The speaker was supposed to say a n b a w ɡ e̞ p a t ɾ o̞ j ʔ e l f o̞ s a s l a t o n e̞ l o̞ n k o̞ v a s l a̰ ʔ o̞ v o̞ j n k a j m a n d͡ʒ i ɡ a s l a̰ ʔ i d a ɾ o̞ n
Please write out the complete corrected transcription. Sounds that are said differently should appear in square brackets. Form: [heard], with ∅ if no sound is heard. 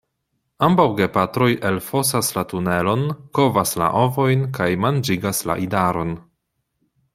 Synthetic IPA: a [m] b a w ɡ e̞ p a t ɾ o̞ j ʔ e l f o̞ s a s l a t [u] n e̞ l o̞ n k o̞ v a s l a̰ ʔ o̞ v o̞ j n k a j m a n d͡ʒ i ɡ a s l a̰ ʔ i d a ɾ o̞ n